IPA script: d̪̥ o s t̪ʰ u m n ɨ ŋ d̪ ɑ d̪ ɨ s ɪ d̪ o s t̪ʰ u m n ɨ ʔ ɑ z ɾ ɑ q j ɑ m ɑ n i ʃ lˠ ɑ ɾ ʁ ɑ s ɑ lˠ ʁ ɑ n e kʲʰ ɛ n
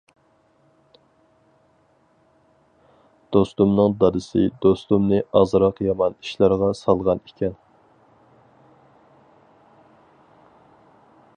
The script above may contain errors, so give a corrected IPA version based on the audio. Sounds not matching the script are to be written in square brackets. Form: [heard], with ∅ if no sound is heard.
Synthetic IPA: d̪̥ o s [t̪] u m n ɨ ŋ d̪ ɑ d̪ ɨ s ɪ d̪ o s [t̪] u m n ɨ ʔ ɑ z ɾ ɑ q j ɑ m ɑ n i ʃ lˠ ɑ ɾ ʁ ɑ s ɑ lˠ ʁ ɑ n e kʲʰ ɛ n